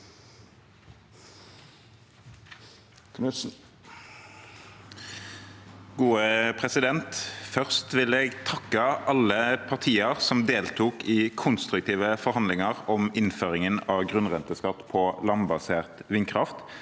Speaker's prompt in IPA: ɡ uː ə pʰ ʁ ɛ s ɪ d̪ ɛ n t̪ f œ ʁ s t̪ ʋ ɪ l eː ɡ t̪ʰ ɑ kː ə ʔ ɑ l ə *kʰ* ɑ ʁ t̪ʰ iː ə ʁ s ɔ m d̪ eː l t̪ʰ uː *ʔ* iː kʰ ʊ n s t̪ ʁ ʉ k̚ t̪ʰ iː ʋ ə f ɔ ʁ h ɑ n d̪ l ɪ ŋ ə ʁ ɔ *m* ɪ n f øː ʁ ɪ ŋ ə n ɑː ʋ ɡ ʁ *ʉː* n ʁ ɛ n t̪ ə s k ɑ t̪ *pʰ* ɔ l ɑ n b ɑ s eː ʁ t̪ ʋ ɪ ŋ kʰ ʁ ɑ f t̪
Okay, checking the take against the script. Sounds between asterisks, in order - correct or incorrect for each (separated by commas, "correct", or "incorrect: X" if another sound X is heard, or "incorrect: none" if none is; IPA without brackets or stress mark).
incorrect: pʰ, incorrect: k, correct, incorrect: ʉ, correct